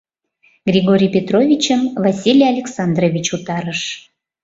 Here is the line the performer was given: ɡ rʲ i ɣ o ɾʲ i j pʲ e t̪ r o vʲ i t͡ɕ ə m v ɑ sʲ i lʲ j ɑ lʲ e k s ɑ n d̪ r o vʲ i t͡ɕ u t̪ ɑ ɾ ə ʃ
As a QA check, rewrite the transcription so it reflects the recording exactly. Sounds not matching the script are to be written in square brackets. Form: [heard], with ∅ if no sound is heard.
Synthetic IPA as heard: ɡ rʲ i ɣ o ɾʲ i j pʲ e t̪ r o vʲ i t͡ɕ ə m v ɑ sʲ i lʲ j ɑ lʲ e k s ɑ n d̪ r o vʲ i t͡ɕ u t̪ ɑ ɾ ə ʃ